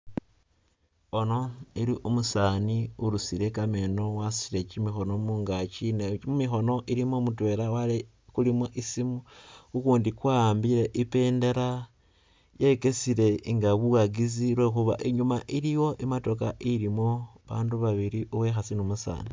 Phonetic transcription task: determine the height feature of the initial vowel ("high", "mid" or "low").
mid